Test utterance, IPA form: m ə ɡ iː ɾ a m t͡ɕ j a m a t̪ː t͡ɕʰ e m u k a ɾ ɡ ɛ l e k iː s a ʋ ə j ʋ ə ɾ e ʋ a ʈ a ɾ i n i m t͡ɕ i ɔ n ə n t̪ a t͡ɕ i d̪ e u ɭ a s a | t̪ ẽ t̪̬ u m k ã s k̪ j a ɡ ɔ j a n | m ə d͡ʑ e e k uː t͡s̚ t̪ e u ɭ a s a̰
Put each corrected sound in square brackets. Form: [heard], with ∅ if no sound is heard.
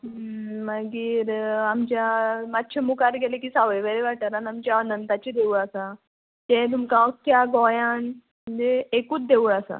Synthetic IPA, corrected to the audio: m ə ɡ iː ɾ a m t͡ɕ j a m a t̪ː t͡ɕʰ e m u k a ɾ ɡ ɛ l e k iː s a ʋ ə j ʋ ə ɾ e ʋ a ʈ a ɾ [a] n [a] m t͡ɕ [a] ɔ n ə n t̪ a t͡ɕ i d̪ e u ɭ a s a | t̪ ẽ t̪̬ u m k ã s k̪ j a ɡ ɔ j a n | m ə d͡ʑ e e k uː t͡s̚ [d̪] e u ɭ a s a̰